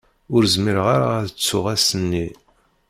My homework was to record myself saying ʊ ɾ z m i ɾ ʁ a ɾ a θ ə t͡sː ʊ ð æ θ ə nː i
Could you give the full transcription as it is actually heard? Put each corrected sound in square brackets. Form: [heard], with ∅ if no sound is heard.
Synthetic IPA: ʊ ɾ z m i ɾ ʁ a ɾ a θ ə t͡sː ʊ [ʁ] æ [s] ə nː i